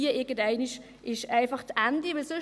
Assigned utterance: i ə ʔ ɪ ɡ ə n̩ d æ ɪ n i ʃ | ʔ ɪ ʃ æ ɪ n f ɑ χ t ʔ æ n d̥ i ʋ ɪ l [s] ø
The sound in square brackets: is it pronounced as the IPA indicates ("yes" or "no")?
yes